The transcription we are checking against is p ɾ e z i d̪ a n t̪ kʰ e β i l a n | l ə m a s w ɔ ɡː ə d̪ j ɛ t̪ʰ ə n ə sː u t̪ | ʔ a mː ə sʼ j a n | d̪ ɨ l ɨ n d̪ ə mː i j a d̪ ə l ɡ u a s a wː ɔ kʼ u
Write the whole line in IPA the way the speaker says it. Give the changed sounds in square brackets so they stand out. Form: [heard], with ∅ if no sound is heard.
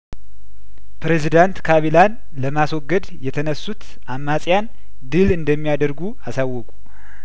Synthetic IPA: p ɾ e z i d̪ a n t̪ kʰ [a] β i l a n | l ə m a s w ɔ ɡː ə d̪ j ɛ t̪ʰ ə n ə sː u t̪ | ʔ a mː [a] sʼ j a n | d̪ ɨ l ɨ n d̪ ə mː i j a d̪ ə [ɾ] ɡ u a s a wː ɔ kʼ u